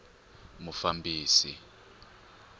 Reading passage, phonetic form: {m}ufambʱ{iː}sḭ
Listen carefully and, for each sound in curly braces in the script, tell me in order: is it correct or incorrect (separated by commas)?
correct, correct